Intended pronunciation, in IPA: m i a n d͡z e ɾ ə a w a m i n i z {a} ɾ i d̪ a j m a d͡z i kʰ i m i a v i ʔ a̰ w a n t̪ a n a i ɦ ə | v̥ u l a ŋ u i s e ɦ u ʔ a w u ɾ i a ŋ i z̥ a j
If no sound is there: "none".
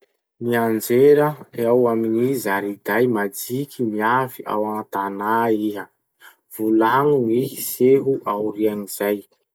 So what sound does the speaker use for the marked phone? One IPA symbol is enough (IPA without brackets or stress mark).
a